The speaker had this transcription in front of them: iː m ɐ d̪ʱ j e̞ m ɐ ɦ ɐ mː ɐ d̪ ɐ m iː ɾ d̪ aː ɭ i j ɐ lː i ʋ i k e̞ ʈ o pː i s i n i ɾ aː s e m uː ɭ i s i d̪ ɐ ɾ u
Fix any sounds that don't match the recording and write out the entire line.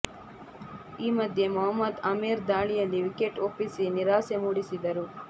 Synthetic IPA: iː m ɐ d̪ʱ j e̞ m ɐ ɦ ɐ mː ɐ d̪ ɐ m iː ɾ d̪ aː ɭ i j ɐ lː i ʋ i k e̞ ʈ o pː i s i n i ɾ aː s e m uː ɽ i s i d̪ ɐ ɾ u